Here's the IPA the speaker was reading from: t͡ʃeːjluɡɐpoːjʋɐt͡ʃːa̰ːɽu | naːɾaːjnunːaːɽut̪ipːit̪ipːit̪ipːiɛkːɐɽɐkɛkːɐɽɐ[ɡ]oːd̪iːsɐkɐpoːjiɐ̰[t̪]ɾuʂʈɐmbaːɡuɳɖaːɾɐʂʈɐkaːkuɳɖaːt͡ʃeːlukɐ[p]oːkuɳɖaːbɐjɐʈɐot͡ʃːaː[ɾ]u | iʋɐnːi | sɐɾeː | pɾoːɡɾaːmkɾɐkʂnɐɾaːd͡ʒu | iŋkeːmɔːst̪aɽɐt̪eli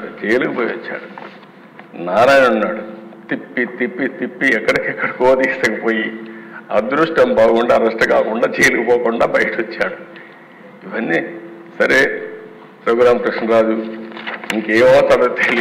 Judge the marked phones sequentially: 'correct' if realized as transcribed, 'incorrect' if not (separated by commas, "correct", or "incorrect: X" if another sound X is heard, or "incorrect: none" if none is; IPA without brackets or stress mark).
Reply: incorrect: k, incorrect: d̪, correct, incorrect: ɽ